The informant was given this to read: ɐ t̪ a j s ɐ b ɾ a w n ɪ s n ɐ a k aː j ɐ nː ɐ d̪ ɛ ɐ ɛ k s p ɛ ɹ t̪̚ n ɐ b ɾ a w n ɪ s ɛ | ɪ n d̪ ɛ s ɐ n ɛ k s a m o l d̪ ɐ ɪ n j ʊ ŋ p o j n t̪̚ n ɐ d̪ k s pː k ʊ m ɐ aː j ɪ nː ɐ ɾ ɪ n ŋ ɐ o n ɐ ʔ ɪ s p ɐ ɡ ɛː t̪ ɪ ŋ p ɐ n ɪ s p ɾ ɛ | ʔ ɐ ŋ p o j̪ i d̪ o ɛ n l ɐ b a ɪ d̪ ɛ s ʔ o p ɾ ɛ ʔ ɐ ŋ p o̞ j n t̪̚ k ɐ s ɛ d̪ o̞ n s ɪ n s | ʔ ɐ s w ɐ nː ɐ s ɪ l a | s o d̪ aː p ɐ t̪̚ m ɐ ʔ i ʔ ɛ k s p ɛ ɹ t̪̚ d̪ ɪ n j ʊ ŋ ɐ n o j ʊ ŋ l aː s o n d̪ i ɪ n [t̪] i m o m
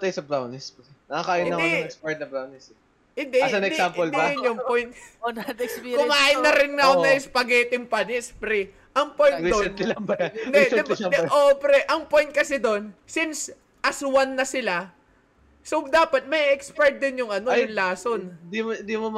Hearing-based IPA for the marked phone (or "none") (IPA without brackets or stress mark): d̪